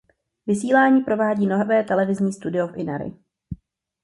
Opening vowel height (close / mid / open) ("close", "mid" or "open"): close